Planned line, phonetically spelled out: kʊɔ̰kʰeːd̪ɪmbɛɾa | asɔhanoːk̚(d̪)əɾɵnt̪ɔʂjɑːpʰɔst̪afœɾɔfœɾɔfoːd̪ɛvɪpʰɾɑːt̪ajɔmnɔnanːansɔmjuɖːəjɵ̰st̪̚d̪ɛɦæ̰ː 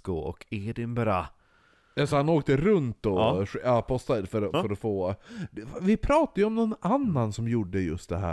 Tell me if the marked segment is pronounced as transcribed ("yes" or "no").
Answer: no